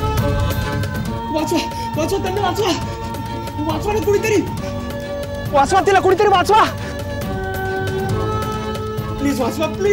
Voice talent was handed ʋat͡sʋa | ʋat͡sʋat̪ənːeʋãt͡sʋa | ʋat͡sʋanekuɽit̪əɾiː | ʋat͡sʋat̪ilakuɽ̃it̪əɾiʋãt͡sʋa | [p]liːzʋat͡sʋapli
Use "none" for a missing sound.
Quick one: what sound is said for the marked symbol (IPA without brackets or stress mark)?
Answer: p